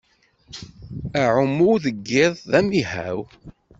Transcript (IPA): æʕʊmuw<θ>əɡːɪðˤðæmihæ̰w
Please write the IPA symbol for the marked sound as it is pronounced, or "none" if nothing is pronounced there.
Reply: ð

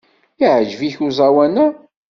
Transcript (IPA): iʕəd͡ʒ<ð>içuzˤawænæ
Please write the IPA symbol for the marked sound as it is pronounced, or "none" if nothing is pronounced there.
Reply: v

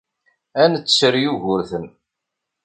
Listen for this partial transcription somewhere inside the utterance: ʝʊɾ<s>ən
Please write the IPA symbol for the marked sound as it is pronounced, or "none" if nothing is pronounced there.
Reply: θ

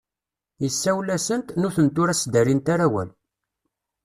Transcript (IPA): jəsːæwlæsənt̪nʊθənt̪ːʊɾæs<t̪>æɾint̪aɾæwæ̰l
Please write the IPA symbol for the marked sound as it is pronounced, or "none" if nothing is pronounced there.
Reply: d̪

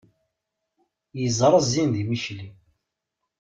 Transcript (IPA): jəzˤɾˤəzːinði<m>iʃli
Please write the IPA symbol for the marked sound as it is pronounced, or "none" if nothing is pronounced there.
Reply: m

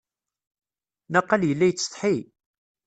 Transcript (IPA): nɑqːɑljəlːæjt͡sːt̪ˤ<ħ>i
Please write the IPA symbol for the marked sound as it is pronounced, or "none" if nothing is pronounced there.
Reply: ħ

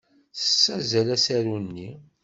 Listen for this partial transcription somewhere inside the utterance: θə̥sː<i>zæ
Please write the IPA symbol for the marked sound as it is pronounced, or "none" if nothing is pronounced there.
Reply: æ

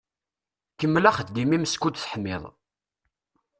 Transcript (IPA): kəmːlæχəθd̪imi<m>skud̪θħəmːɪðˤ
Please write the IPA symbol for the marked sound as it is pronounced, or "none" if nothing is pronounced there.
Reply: m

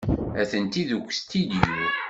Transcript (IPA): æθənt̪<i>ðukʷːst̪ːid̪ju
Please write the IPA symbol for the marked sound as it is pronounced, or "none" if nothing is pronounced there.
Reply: i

